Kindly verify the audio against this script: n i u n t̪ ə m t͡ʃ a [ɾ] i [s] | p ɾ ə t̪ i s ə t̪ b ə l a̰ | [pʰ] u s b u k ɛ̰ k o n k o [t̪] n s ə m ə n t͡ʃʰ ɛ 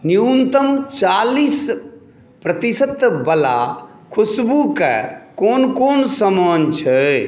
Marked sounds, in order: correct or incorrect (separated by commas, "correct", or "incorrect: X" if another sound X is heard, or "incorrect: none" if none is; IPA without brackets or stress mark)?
incorrect: l, correct, incorrect: kʰ, incorrect: none